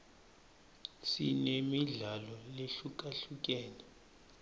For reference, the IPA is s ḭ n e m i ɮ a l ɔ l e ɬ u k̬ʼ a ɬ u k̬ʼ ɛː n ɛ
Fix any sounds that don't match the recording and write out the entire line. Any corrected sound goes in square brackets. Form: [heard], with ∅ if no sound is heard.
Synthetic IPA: s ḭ n e m i ɮ a l ɔ l e ɬ u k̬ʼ a ɬ u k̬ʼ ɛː n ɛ